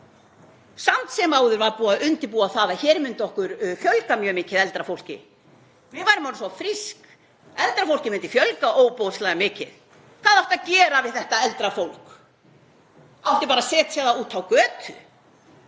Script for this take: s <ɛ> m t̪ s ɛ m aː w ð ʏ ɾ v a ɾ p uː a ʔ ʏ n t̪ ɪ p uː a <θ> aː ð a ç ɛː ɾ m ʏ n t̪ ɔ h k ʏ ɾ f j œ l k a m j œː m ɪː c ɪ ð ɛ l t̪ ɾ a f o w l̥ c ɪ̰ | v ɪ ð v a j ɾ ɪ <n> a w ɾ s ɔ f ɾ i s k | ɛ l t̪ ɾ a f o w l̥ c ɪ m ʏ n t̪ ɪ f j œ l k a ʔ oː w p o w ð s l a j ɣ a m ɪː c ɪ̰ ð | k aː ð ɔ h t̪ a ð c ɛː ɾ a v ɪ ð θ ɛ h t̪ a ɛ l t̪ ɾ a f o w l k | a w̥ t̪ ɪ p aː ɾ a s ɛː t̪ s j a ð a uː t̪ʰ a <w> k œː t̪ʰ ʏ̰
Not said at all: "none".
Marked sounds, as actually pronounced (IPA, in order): a, θ, m, w

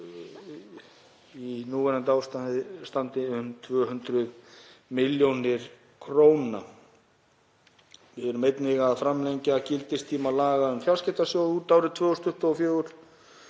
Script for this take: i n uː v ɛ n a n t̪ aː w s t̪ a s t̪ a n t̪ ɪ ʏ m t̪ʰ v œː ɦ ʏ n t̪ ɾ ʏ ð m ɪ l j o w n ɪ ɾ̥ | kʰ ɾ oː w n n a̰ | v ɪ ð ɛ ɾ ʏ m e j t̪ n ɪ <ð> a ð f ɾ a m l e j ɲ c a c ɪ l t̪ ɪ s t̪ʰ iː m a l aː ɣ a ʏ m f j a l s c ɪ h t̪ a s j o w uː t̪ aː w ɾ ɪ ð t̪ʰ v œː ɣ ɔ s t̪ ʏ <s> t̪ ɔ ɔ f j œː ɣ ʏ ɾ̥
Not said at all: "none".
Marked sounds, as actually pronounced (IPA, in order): ɣ, h

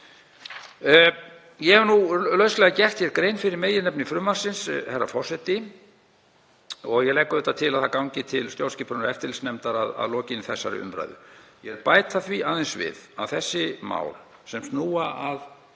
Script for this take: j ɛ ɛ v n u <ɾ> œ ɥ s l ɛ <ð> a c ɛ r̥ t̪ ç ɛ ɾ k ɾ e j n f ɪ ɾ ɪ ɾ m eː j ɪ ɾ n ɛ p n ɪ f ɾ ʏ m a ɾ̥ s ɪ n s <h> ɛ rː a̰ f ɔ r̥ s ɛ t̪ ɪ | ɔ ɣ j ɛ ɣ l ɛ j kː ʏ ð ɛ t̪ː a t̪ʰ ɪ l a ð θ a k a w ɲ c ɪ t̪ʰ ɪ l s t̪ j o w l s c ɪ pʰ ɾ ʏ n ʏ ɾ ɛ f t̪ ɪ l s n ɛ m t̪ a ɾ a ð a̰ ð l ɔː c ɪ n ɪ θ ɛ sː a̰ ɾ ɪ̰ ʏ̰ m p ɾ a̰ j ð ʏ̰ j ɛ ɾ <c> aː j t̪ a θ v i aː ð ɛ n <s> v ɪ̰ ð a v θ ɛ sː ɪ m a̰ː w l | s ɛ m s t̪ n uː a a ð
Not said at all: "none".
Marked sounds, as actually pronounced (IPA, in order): l, ɣ, h, p, s

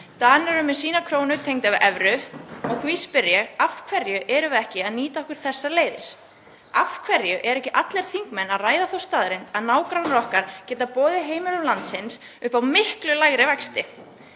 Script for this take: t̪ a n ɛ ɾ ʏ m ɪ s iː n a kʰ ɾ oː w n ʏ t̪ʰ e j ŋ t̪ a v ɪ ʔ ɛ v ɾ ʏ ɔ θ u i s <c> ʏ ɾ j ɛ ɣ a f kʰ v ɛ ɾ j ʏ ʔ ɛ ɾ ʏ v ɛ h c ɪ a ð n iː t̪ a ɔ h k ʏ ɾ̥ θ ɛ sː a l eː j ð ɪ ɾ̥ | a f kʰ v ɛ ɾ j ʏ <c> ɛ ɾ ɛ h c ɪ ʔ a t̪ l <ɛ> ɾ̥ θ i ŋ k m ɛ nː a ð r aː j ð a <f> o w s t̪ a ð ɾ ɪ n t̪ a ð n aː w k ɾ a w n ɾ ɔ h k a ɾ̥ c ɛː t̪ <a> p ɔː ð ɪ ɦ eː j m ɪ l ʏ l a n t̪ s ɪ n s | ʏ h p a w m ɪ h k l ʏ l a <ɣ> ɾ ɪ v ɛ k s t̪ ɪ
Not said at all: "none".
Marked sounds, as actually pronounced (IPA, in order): p, ʔ, ɛ, θ, a, ɣ

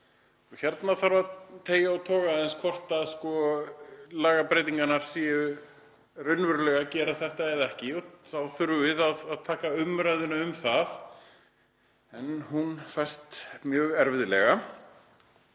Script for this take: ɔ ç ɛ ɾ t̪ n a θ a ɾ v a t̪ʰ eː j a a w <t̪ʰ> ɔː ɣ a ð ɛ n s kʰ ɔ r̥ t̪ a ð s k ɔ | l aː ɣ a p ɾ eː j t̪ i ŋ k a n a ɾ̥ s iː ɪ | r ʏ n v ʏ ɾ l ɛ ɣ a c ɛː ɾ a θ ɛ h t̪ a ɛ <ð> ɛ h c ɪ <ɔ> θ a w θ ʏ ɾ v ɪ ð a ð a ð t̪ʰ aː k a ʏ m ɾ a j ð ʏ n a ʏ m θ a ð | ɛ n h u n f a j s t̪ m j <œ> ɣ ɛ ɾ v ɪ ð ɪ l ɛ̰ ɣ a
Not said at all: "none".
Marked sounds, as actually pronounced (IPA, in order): t̪ʰ, ð, ɔ, œː

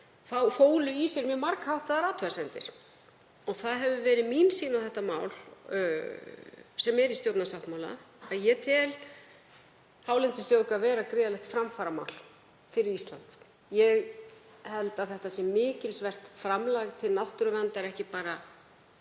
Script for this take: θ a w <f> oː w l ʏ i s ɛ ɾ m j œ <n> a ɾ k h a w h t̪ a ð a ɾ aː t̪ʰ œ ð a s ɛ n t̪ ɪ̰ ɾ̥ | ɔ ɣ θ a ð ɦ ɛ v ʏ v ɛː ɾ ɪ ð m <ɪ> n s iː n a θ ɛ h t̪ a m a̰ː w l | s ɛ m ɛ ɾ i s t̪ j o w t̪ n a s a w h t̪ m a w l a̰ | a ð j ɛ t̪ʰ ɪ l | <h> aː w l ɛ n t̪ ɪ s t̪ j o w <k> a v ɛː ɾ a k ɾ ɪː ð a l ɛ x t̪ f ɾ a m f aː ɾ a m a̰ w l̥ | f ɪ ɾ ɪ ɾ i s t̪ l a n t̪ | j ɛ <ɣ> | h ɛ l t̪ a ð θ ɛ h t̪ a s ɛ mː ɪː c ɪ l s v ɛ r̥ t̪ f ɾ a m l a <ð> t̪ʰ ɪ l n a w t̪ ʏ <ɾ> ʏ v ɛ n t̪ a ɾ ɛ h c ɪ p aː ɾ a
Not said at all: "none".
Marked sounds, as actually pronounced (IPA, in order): f, m, i, h, k, ɣ, ɣ, ɾ

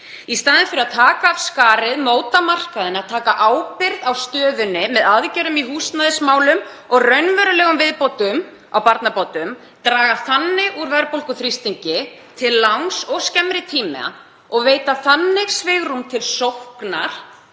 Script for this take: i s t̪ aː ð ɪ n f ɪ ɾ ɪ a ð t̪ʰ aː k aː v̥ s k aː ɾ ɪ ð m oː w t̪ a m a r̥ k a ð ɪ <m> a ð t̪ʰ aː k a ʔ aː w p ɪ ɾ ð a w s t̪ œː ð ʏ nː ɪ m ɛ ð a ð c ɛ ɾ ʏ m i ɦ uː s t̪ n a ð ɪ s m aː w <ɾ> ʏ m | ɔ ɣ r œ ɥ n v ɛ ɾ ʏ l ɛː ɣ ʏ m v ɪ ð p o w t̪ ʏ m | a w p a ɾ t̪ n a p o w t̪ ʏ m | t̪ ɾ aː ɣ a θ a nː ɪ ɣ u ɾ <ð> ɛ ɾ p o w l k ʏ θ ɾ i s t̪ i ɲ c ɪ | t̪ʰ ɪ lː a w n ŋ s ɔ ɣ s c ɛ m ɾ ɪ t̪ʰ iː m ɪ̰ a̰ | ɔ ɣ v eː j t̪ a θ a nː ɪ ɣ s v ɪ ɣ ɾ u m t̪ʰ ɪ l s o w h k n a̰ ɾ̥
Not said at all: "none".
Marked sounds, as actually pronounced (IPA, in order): n, l, v

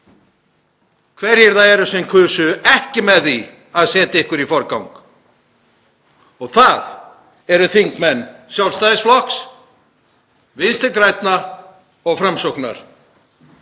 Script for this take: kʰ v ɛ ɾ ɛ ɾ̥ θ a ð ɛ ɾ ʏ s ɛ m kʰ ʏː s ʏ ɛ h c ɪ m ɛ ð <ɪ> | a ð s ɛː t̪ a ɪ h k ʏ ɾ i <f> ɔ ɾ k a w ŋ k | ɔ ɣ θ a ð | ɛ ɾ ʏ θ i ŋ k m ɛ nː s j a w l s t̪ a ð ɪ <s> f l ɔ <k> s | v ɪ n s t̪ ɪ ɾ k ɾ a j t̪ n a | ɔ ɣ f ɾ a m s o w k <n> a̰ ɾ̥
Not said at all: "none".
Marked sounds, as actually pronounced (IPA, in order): i, f, s, k, n

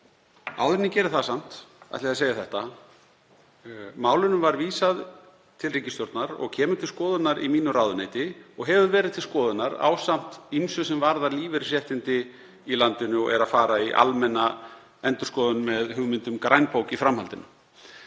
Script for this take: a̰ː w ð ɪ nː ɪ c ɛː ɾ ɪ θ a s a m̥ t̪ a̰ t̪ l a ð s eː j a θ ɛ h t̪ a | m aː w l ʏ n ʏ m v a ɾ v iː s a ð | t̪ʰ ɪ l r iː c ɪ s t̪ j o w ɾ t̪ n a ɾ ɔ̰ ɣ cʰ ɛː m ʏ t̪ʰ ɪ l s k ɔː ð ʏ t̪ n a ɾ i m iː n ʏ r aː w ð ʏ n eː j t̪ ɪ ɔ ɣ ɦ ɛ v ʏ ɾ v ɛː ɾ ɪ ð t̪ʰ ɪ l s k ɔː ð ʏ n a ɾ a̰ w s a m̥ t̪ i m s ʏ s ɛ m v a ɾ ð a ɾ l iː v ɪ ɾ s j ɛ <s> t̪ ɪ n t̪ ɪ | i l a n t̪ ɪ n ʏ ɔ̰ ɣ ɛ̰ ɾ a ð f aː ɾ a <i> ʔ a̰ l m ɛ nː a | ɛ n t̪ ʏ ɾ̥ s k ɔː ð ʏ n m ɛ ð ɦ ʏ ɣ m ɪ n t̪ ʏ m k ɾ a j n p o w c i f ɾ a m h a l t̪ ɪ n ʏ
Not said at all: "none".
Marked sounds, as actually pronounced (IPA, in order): h, i

